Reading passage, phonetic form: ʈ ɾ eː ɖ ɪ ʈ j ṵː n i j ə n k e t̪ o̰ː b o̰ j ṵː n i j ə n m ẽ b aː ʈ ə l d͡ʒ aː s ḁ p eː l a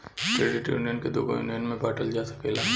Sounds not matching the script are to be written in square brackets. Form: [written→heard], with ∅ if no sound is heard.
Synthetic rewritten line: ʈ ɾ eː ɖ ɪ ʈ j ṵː n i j ə n k e [t̪→d̪] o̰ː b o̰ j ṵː n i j ə n m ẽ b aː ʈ ə l d͡ʒ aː s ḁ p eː l a